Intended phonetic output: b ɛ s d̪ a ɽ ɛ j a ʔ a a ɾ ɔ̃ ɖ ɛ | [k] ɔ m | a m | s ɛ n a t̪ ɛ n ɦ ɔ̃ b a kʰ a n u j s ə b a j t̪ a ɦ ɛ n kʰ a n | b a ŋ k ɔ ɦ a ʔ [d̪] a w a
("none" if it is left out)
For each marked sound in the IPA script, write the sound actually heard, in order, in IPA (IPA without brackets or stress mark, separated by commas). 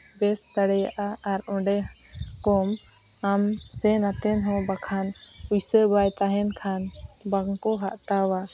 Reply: k, t̪